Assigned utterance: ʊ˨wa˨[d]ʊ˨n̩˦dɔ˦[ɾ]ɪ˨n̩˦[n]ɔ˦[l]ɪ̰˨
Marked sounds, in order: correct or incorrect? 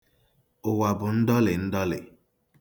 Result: incorrect: b, incorrect: l, incorrect: d, correct

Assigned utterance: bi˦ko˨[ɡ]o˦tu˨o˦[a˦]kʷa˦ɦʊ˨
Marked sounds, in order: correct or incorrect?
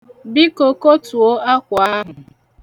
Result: incorrect: k, correct

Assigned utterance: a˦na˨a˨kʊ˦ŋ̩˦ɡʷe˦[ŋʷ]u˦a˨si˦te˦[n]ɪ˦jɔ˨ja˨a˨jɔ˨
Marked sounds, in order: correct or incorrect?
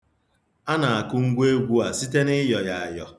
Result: incorrect: ɡʷ, correct

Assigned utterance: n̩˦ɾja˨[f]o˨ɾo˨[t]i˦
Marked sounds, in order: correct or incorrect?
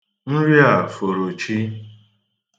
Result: correct, incorrect: t͡ʃ

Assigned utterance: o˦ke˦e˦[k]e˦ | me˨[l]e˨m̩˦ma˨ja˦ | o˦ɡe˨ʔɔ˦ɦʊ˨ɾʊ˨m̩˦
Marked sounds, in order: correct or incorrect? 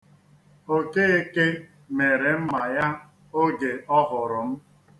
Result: correct, incorrect: ɾ

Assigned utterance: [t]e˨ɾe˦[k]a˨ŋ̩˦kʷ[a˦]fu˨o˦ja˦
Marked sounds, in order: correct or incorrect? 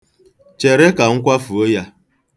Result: incorrect: t͡ʃ, correct, correct

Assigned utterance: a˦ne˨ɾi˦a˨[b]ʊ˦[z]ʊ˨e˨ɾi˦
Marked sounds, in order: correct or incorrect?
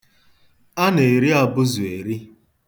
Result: correct, correct

